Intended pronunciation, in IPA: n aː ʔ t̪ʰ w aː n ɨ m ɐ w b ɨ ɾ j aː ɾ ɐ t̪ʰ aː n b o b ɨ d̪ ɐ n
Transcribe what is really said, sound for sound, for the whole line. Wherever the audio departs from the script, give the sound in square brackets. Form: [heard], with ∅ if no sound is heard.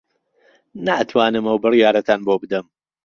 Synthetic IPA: n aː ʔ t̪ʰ w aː n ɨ m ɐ w b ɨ [r] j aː ɾ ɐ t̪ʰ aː n b o b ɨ d̪ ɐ [m]